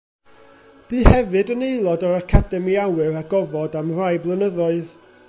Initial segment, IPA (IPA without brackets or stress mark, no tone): b̥